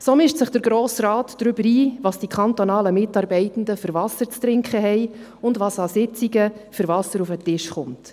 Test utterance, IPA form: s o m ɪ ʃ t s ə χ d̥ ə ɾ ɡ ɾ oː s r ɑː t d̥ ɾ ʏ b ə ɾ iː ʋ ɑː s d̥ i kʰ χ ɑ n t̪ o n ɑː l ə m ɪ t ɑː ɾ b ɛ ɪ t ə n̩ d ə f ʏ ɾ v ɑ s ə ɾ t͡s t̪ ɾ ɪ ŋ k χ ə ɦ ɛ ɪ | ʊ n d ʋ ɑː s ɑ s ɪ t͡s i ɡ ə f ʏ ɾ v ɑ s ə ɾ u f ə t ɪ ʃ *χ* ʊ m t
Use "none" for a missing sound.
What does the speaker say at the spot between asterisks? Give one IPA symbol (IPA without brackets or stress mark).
χ